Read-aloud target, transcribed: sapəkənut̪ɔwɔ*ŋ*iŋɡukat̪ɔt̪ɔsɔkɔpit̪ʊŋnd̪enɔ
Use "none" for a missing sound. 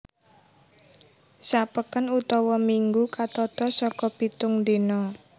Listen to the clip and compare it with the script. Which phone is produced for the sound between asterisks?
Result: m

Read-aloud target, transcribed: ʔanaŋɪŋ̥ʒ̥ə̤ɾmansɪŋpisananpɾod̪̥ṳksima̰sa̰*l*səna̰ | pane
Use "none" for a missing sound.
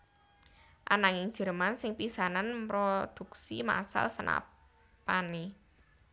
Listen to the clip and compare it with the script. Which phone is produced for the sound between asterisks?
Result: l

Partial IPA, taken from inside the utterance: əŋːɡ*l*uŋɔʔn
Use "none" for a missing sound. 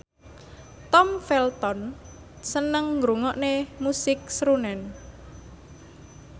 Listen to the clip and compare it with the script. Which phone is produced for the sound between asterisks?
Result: ɾ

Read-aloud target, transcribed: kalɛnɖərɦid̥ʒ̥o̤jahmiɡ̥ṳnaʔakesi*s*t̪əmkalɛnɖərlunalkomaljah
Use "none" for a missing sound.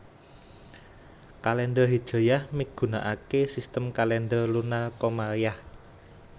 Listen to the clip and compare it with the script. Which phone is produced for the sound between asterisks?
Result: s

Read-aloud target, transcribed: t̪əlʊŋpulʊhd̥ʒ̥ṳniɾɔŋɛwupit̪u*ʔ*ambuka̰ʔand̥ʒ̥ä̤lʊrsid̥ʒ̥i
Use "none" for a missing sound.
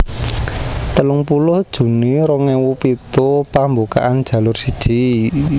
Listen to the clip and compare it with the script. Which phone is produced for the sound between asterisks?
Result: p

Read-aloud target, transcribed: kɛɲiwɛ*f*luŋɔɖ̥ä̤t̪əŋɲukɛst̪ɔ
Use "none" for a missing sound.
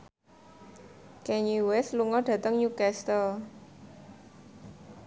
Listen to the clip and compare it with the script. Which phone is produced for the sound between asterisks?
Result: s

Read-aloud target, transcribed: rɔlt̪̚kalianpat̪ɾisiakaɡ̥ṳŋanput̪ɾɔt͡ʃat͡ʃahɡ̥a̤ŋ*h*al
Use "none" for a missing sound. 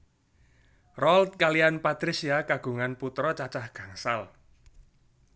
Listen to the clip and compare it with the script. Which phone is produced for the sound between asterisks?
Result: s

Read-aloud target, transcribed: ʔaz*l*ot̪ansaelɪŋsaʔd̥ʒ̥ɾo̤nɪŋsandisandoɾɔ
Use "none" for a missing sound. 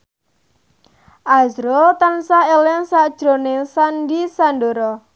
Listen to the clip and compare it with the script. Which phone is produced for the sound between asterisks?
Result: ɾ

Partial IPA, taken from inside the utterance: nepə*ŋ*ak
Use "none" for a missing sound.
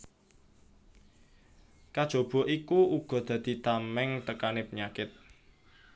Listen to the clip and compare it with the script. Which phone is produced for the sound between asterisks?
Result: ɲ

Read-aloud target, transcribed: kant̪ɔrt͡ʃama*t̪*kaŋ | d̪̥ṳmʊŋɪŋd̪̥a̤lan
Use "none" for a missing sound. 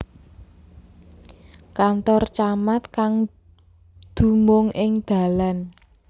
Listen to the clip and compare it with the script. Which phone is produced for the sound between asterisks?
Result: t̪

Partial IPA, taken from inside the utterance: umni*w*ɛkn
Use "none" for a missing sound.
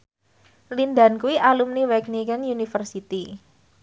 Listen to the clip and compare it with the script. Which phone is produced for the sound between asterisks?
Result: w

